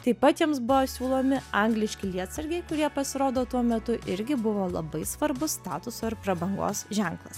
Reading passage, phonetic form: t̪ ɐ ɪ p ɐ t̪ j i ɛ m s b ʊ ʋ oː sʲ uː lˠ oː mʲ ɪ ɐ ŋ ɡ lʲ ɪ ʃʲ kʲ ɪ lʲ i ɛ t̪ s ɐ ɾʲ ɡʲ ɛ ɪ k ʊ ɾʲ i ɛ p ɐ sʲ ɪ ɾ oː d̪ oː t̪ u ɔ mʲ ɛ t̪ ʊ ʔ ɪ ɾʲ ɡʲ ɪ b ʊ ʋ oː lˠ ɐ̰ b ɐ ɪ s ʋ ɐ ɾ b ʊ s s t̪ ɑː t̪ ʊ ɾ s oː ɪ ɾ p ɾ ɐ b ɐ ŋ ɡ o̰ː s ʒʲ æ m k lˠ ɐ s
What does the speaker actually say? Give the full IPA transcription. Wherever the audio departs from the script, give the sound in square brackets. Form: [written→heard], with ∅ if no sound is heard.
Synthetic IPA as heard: t̪ ɐ ɪ p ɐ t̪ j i ɛ m s b ʊ ʋ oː sʲ uː lˠ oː mʲ ɪ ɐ ŋ ɡ lʲ ɪ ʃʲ kʲ ɪ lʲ i ɛ t̪ s ɐ ɾʲ ɡʲ ɛ ɪ k ʊ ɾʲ i ɛ p ɐ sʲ ɪ ɾ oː d̪ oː t̪ u ɔ mʲ ɛ t̪ ʊ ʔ ɪ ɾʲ ɡʲ ɪ b ʊ ʋ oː lˠ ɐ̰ b ɐ ɪ s ʋ ɐ ɾ b ʊ s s t̪ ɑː t̪ ʊ [ɾ→∅] s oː ɪ ɾ p ɾ ɐ b ɐ ŋ ɡ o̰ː s ʒʲ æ [m→ŋ] k lˠ ɐ s